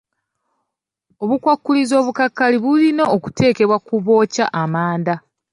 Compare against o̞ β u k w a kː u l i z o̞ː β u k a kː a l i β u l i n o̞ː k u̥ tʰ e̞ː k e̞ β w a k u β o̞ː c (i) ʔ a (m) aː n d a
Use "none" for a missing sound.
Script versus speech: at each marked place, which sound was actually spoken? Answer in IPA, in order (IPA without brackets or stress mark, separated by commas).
a, m